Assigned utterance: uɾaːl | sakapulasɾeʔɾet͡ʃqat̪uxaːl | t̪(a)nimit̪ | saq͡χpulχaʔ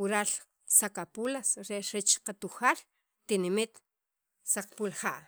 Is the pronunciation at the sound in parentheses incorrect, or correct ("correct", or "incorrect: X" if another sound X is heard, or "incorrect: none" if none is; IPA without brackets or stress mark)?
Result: incorrect: i